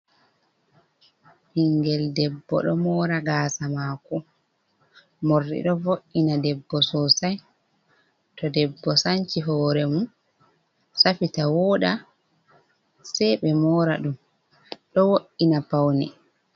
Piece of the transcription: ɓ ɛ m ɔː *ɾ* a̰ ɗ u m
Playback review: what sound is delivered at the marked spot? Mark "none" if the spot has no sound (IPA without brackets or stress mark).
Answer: ɾ